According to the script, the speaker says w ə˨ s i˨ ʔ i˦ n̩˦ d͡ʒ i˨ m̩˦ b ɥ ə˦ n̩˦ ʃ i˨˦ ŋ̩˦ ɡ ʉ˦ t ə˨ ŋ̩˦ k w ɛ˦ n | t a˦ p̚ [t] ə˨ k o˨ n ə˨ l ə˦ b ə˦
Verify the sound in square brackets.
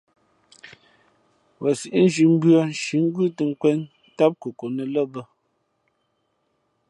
incorrect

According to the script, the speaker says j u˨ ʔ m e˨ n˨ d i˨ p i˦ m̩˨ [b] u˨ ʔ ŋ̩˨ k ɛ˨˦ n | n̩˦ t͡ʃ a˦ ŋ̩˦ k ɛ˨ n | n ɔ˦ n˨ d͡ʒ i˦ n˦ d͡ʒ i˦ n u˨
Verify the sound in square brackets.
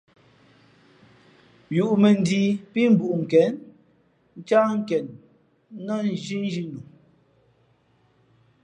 correct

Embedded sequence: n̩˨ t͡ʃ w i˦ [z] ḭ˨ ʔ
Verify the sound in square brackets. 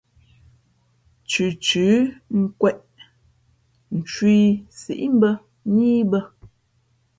incorrect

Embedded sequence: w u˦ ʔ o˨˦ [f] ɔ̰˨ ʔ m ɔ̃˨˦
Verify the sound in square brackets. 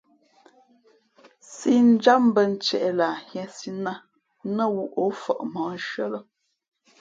correct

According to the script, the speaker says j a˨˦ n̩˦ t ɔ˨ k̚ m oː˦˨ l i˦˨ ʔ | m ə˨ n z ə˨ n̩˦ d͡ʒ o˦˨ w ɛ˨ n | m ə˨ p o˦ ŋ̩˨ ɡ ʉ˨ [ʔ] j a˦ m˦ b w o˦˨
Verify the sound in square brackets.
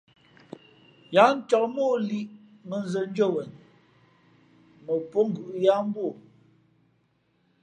correct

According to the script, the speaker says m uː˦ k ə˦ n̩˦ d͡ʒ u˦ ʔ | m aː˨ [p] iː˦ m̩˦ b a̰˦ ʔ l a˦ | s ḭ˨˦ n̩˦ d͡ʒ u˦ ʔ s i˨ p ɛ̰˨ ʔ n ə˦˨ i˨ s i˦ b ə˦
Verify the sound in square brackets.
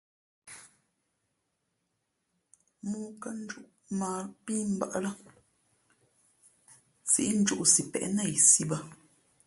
correct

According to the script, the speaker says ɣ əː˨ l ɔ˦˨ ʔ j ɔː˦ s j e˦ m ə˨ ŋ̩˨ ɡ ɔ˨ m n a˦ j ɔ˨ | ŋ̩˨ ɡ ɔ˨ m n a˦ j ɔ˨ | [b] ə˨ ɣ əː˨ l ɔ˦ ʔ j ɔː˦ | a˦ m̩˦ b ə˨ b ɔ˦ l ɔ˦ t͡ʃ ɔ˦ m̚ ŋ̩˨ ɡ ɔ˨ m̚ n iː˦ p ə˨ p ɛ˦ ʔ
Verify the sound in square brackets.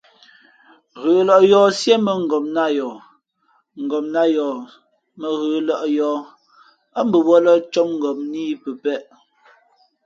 incorrect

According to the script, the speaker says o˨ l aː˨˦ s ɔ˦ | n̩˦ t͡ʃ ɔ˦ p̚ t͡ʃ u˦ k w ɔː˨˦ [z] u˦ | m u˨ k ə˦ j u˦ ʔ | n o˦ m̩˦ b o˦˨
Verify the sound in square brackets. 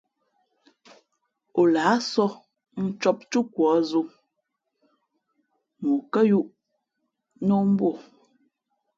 correct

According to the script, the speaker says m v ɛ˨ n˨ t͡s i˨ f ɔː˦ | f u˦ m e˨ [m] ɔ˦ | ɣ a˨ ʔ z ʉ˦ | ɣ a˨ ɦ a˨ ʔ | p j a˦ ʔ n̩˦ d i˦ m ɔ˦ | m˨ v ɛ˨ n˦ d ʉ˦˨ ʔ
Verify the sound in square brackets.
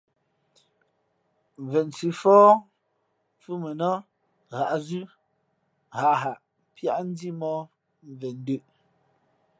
incorrect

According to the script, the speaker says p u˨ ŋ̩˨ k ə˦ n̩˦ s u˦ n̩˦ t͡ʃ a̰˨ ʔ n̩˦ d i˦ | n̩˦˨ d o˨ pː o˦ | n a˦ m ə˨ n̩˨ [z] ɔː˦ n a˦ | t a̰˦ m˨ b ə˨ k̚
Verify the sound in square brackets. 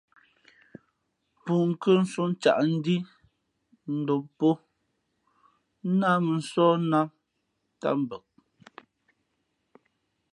incorrect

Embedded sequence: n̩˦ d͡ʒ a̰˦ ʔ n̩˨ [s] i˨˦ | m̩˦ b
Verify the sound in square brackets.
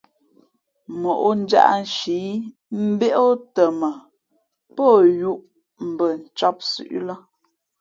incorrect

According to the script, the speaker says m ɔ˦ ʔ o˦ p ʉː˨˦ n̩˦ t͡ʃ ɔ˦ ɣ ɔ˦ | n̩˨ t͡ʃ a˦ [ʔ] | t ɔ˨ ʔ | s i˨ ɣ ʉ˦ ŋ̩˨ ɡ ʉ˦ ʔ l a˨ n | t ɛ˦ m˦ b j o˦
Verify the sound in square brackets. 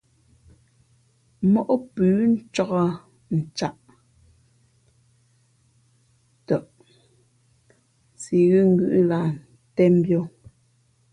correct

